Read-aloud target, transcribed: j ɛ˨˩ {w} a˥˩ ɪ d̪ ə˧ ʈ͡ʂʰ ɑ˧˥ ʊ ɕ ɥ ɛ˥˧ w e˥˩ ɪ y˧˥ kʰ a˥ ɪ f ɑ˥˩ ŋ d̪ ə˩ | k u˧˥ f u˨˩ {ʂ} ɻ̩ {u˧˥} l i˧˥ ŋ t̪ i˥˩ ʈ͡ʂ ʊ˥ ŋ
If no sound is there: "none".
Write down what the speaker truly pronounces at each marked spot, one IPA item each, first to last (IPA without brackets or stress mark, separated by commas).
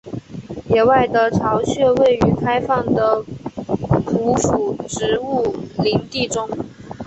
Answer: w, ʈ͡ʂ, u˥˩